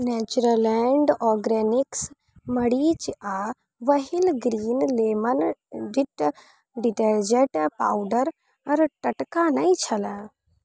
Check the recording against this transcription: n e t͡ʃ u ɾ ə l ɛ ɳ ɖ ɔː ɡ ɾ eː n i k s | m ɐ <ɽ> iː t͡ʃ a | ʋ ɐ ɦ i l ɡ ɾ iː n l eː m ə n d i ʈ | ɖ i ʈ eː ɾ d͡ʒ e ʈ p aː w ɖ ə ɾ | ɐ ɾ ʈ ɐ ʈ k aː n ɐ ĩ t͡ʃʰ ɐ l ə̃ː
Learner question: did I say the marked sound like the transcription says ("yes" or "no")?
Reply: yes